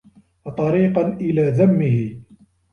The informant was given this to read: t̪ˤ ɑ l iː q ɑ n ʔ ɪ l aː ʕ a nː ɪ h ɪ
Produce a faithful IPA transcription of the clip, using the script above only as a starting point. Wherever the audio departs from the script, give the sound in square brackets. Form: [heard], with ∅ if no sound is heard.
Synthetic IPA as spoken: t̪ˤ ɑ [ɾ] iː q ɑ n ʔ ɪ l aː [ð] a [mː] ɪ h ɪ